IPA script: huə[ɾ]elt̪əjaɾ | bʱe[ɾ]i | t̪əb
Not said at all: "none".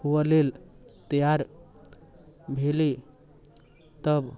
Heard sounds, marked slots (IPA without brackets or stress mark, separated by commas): l, l